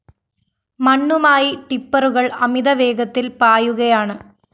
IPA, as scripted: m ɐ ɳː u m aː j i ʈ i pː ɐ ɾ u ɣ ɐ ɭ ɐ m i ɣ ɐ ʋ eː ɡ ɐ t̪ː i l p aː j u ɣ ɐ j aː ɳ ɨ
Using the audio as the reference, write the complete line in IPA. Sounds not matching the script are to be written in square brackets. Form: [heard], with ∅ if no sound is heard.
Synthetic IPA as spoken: m ɐ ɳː u m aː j i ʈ i pː ɐ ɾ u ɣ ɐ ɭ ɐ m i [ð] ɐ ʋ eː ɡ ɐ t̪ː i l p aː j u ɣ ɐ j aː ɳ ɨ

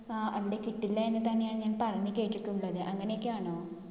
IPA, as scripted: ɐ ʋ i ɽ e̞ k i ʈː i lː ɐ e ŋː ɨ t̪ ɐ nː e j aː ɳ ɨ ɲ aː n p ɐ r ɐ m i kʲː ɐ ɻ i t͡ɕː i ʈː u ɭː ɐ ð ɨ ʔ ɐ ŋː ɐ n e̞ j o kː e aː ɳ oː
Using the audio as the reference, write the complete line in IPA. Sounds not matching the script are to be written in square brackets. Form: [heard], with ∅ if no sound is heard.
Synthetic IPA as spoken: ɐ ʋ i ɽ e̞ k i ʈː i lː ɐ e [nː] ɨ t̪ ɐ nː e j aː ɳ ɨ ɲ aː n p ɐ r ɐ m i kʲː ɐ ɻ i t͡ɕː i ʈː u ɭː ɐ ð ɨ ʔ ɐ ŋː ɐ n e̞ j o kː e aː ɳ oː

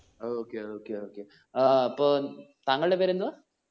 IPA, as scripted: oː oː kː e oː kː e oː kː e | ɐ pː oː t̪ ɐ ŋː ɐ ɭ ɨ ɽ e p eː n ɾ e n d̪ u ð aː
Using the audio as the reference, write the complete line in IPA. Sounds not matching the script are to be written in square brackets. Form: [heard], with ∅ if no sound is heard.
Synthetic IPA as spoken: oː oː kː e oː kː e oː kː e | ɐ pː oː t̪ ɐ ŋː ɐ ɭ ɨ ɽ e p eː [∅] ɾ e n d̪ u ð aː

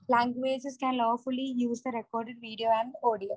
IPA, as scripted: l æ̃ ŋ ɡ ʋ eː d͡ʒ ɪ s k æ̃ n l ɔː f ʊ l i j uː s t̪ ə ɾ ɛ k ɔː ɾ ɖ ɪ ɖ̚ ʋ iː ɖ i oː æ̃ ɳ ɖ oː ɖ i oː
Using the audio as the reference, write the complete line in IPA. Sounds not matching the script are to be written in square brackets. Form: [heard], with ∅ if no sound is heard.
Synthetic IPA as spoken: l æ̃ ŋ ɡ ʋ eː d͡ʒ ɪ s k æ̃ n l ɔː f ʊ l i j uː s [d̪] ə ɾ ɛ k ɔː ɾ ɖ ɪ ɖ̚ ʋ iː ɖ i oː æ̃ ɳ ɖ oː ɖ i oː

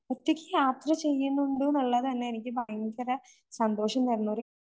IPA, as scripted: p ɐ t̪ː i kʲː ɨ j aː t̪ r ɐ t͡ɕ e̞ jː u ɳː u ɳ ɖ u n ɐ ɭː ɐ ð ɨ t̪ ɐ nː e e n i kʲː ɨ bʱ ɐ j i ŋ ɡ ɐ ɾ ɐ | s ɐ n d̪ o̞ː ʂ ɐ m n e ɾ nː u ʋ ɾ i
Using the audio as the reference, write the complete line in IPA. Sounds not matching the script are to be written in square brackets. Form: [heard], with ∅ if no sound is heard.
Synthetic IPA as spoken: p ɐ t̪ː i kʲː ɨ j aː t̪ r ɐ t͡ɕ e̞ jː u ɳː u ɳ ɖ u n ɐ ɭː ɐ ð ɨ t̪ ɐ nː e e n i kʲː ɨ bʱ ɐ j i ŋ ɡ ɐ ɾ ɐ | s ɐ n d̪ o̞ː ʂ ɐ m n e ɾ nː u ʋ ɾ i

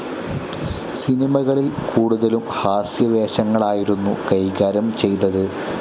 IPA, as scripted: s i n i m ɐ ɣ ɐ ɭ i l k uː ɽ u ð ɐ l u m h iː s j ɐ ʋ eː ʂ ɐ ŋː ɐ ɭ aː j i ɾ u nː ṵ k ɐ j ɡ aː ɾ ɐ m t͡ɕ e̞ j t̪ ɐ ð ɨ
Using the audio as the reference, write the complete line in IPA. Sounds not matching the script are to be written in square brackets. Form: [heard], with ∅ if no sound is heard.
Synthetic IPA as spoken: s i n i m ɐ ɣ ɐ ɭ i l k uː ɽ u ð ɐ l u m h [aː] s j ɐ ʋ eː [ɕ] ɐ ŋː ɐ ɭ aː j i ɾ u nː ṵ k ɐ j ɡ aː ɾ ɐ m t͡ɕ e̞ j t̪ ɐ ð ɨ

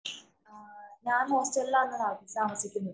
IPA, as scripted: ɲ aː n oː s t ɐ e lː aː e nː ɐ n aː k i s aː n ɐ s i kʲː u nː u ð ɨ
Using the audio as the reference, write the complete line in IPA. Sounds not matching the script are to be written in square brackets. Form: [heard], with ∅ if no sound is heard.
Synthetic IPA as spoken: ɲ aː n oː s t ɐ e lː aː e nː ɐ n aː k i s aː [m] ɐ s i kʲː u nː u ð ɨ

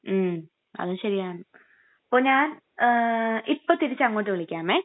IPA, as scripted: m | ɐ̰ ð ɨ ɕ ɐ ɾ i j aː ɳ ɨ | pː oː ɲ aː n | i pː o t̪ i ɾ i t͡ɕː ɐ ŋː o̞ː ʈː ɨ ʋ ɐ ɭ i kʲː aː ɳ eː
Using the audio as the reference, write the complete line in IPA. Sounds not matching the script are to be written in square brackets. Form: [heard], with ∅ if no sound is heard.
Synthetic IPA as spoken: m | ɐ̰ ð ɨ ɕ ɐ ɾ i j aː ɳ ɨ | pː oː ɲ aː n | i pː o t̪ i ɾ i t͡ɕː ɐ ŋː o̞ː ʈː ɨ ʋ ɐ ɭ i kʲː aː [m] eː

